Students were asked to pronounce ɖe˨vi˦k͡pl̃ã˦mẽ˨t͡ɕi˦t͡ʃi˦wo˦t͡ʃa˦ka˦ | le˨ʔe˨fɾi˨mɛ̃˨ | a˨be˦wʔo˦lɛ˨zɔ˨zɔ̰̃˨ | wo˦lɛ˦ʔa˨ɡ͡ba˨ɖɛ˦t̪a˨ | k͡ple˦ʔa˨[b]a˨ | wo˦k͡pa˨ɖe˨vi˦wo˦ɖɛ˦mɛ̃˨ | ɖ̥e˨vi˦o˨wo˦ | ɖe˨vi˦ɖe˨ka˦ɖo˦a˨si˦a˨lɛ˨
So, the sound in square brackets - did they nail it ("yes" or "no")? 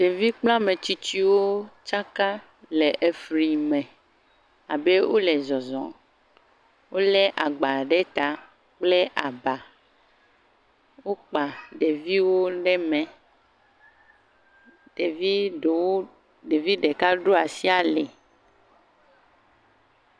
yes